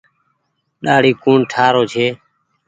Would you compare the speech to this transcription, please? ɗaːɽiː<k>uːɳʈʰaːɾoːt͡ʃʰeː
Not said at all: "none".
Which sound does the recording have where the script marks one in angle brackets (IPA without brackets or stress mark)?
k